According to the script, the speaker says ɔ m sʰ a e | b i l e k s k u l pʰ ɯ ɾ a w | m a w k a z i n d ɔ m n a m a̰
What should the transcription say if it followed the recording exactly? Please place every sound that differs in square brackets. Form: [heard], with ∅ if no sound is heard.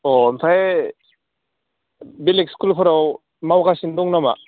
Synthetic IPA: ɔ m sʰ a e | b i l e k s k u l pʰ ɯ ɾ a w | m a w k a [s] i n d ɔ [ŋ] n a m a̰